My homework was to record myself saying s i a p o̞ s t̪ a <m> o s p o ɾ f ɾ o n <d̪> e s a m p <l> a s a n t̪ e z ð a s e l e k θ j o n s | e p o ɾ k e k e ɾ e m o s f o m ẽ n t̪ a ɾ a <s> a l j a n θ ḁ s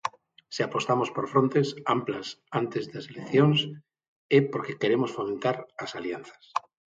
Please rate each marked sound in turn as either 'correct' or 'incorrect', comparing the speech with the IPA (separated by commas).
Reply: correct, incorrect, correct, correct